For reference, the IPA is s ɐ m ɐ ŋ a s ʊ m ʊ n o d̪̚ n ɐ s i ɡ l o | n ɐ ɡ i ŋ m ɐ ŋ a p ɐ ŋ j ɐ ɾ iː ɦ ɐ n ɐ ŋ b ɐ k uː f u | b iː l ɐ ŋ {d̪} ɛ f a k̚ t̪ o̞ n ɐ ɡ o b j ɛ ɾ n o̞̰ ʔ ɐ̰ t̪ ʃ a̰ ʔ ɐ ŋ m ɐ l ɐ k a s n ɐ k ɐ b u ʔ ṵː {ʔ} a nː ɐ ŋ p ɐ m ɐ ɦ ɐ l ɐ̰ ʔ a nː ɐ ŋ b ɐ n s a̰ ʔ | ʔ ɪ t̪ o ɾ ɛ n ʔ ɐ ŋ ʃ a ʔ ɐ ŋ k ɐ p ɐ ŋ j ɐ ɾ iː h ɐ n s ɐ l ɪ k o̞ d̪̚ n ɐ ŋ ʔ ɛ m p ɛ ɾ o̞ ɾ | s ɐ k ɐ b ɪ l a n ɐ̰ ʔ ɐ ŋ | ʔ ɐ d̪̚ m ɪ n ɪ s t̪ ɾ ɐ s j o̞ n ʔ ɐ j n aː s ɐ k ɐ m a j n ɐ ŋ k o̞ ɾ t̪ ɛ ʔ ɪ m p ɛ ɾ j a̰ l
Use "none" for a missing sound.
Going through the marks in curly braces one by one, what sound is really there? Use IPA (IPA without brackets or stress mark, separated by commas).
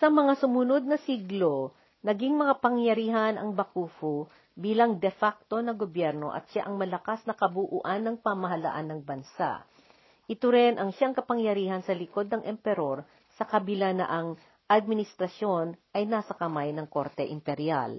d̪, ʔ